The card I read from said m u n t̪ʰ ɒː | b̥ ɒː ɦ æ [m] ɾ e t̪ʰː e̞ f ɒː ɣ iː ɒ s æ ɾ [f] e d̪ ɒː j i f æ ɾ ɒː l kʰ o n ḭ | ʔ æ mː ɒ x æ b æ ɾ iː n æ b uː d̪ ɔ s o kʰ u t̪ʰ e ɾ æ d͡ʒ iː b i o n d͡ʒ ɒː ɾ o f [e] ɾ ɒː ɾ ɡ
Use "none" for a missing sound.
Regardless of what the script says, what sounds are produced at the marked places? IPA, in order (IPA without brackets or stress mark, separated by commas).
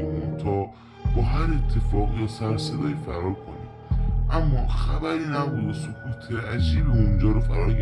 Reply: none, s, æ